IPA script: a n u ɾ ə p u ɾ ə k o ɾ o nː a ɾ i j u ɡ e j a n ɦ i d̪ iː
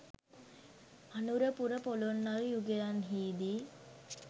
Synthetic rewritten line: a n u ɾ ə p u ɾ ə p o l o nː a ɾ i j u ɡ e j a n ɦ iː d̪ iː